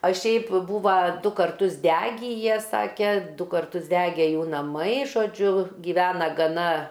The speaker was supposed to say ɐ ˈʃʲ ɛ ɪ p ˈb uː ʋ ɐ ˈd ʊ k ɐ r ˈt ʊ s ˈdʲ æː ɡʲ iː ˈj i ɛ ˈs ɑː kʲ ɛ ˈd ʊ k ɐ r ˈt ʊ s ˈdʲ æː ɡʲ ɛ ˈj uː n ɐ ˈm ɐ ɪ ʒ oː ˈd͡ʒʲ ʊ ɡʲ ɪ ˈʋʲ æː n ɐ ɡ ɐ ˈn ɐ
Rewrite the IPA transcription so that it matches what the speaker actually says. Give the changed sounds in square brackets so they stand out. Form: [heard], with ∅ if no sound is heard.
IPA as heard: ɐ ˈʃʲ ɛ ɪ p ˈb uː ʋ ɐ ˈd ʊ k ɐ r ˈt ʊ s ˈdʲ æː ɡʲ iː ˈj i ɛ ˈs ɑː kʲ ɛ ˈd ʊ k ɐ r ˈt ʊ s ˈdʲ æː ɡʲ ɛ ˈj uː n ɐ ˈm ɐ ɪ ʒ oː ˈd͡ʒʲ ʊ ɡʲ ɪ ˈʋʲ æː n ɐ ɡ ɐ ˈn ɐ